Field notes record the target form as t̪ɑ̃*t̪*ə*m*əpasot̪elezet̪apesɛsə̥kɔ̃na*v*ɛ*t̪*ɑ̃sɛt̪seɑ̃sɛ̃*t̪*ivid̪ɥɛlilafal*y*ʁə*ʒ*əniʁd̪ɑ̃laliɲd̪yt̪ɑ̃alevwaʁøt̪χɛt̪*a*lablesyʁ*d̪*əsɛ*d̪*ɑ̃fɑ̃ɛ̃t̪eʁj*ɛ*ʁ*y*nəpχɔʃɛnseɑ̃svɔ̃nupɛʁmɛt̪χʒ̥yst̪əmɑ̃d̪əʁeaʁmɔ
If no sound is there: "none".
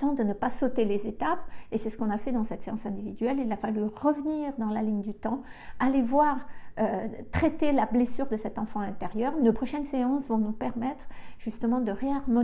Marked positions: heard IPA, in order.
d̪, n, f, d̪, d̪, y, v, e, d̪, t̪, œ, y

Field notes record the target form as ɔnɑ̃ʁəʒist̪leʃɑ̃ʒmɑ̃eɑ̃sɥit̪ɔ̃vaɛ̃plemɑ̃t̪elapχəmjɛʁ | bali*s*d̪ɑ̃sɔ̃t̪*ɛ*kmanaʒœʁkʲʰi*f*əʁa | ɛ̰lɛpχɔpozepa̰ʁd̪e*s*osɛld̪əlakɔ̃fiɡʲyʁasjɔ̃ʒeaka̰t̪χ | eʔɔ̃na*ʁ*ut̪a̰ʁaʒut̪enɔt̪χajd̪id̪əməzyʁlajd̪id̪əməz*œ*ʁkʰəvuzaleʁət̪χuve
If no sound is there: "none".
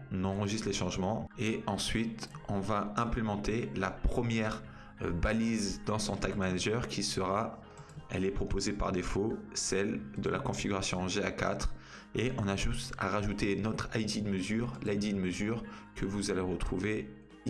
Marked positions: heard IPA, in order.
z, a, s, f, ʒ, y

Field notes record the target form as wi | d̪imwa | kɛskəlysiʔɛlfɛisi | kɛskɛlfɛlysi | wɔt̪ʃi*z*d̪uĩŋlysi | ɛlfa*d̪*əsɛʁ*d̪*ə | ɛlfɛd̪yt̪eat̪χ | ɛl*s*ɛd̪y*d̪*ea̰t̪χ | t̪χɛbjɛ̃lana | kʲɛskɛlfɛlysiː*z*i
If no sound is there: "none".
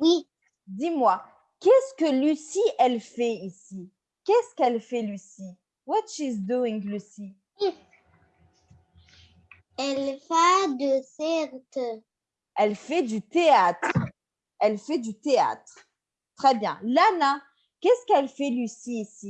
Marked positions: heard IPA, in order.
z, d̪, t̪, f, t̪, s

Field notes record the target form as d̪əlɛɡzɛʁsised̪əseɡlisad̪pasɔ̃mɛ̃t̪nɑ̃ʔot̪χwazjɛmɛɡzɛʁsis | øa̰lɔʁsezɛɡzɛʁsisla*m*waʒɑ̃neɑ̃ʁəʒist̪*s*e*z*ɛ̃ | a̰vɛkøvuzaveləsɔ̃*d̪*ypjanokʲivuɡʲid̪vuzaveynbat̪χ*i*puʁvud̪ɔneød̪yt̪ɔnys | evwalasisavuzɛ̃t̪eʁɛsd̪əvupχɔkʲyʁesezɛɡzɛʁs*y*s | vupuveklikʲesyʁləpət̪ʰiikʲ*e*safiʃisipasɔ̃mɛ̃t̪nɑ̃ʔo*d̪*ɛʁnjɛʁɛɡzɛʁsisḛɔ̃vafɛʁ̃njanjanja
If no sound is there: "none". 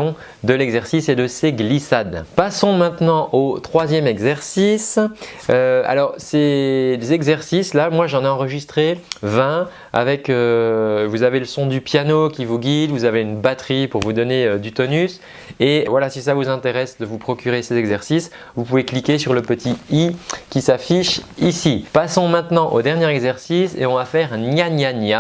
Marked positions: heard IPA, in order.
m, χ, v, d̪, i, i, i, d̪

